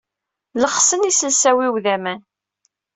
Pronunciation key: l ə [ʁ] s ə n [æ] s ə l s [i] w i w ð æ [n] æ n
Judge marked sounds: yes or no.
no, no, no, no

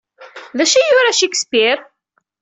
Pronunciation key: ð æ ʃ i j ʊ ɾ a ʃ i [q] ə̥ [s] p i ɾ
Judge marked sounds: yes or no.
no, yes

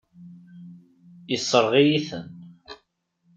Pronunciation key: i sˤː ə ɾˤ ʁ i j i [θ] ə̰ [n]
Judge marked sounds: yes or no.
yes, yes

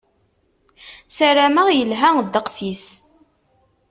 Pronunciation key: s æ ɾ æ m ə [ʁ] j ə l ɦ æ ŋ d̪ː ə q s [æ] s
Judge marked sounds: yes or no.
yes, no

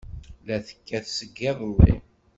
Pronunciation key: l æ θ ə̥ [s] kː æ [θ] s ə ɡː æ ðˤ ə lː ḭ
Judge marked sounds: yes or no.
no, yes

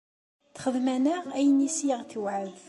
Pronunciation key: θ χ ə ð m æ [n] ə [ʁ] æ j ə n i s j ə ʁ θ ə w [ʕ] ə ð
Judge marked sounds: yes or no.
yes, yes, yes

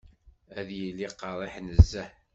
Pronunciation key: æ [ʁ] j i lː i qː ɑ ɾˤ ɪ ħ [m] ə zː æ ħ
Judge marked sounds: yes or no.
no, no

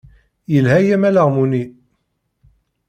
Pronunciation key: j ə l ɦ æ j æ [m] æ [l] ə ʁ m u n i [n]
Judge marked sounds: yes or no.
yes, yes, no

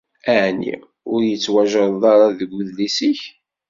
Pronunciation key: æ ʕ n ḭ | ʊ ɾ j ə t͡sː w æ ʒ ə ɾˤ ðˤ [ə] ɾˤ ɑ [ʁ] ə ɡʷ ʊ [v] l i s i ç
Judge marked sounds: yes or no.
no, no, no

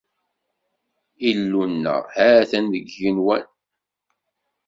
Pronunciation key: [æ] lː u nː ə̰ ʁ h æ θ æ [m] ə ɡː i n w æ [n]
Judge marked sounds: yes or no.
no, no, yes

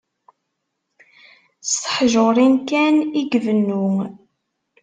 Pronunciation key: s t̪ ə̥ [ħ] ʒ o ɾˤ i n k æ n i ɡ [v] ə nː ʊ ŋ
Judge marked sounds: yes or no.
yes, yes

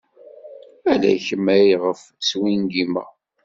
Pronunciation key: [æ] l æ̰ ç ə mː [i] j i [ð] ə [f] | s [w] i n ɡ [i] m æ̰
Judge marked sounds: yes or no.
yes, no, no, yes, yes, yes

